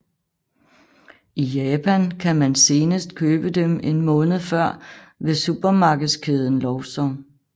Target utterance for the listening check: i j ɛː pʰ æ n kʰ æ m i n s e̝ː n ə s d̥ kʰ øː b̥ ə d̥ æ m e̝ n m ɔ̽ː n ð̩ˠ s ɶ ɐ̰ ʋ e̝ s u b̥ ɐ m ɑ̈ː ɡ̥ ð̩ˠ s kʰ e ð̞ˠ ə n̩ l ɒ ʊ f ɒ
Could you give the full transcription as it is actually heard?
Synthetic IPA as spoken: i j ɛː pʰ æ n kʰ æ m æ n s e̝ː n ə s d̥ kʰ øː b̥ ə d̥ e m e̝ n m ɔ̽ː n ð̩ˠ f ɶ ɐ̰ ʋ e̝ s u b̥ ɐ m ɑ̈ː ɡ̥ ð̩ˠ s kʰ e ð̞ˠ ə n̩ l ɒ ʊ s ɒ